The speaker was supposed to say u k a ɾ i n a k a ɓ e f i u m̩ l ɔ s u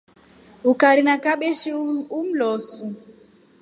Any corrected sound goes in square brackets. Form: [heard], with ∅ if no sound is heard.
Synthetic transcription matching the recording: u k a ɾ i n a k a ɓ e [ʃ] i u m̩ l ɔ s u